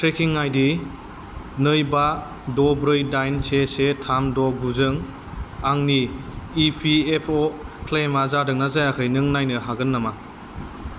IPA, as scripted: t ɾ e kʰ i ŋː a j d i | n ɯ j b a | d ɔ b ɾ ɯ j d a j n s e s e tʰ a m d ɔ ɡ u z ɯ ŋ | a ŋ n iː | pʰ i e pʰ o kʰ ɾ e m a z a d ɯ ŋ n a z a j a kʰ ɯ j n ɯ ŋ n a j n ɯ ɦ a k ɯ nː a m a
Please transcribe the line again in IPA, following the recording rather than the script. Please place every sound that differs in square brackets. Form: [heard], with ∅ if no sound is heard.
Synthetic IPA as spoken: t ɾ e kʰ i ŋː a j d i | n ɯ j b a | d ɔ b ɾ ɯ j d a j n s e s e tʰ a m d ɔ ɡ u z ɯ ŋ | a ŋ n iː | pʰ i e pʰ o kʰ [l] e m a z a d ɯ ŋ n a z a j a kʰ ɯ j n ɯ ŋ n a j n ɯ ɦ a [ɡ] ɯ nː a m a